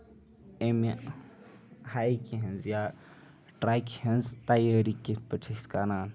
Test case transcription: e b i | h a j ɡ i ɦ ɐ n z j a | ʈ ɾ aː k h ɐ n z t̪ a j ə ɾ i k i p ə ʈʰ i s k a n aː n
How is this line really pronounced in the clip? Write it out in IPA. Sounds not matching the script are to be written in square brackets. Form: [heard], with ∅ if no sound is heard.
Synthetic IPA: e [m] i | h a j [k] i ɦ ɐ n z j a | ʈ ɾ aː k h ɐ n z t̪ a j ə ɾ i k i p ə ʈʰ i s k a n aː n